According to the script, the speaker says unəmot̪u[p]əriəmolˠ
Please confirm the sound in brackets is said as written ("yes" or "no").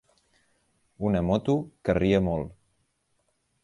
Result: no